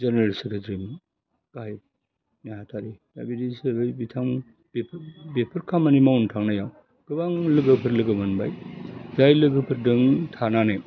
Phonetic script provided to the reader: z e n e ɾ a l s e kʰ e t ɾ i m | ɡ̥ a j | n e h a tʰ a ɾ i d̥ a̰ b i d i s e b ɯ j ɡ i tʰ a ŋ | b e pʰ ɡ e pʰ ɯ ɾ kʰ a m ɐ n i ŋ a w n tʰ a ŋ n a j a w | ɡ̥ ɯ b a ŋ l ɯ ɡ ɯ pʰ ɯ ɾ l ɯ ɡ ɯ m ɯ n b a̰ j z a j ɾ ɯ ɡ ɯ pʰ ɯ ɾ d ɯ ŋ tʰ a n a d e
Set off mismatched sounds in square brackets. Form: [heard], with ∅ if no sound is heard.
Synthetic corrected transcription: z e n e ɾ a l s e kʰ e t ɾ i m | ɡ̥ a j | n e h a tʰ a ɾ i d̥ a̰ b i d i s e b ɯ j [b] i tʰ a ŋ | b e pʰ [b] e pʰ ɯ ɾ kʰ a m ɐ n i [m] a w n tʰ a ŋ n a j a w | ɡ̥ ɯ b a ŋ l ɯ ɡ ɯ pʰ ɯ ɾ l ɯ ɡ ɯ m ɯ n b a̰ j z a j [l] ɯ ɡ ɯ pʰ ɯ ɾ d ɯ ŋ tʰ a n a [n] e